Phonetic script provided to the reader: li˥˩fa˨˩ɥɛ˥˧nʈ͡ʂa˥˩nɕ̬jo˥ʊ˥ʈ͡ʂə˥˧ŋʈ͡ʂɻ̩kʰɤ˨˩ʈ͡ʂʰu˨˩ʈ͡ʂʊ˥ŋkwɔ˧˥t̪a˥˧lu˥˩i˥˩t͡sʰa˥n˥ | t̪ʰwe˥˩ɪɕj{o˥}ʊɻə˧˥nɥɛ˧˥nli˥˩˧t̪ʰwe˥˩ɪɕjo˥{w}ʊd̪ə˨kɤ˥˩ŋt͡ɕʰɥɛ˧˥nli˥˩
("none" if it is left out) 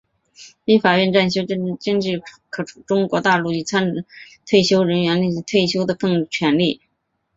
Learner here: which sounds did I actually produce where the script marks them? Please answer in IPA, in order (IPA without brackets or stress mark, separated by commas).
o˥, none